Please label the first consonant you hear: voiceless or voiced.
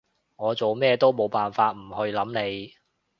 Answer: voiced